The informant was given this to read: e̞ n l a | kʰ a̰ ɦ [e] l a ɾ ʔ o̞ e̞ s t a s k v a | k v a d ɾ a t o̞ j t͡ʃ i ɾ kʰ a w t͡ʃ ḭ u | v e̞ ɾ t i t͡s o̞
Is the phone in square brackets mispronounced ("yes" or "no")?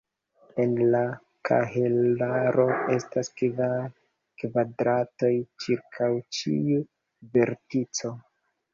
no